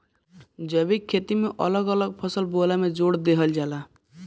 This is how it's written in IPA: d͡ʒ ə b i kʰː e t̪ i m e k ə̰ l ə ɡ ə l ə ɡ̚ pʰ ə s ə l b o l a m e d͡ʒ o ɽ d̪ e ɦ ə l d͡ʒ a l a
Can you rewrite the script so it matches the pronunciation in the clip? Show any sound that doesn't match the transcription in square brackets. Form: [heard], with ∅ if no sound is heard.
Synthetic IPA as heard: d͡ʒ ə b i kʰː e t̪ i m e [ʔ] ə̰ l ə ɡ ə l ə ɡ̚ pʰ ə s ə l b o l a m e d͡ʒ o ɽ d̪ e ɦ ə l d͡ʒ a l a